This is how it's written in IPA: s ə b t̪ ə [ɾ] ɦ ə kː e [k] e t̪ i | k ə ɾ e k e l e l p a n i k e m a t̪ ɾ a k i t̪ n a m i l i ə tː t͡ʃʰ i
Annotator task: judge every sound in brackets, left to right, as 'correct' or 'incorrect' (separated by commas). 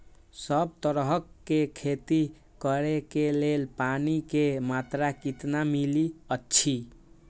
correct, incorrect